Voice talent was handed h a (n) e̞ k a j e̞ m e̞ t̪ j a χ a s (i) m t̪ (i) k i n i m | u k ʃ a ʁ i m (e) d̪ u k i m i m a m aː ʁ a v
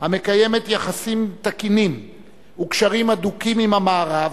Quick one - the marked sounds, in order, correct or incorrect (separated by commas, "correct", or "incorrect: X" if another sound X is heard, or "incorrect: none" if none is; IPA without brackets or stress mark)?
incorrect: m, correct, incorrect: a, incorrect: a